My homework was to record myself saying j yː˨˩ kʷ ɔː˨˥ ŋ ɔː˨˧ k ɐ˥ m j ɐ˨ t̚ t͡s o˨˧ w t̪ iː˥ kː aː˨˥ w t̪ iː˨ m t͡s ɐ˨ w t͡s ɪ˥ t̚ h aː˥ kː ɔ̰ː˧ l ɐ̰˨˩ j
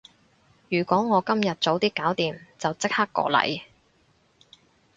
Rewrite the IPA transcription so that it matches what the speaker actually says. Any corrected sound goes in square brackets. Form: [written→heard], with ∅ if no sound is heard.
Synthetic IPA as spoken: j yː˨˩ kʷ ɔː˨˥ ŋ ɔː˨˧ k ɐ˥ m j ɐ˨ t̚ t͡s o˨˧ w t̪ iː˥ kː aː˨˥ w t̪ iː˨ m t͡s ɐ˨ w t͡s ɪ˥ [t̚→k̚] h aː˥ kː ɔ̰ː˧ l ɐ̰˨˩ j